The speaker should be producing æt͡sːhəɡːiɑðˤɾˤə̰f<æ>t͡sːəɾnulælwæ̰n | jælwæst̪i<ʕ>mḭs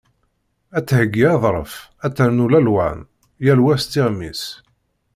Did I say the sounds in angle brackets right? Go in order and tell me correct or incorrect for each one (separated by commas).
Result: correct, incorrect